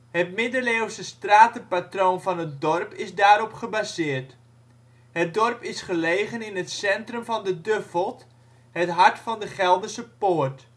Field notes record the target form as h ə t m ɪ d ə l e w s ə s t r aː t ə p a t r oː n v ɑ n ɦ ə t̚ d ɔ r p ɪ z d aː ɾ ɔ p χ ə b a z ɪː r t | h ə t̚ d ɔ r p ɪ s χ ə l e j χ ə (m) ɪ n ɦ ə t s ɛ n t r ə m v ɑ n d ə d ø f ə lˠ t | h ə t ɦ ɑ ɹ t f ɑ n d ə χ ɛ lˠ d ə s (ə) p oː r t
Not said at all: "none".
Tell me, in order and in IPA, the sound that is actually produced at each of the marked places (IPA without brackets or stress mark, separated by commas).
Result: n, ə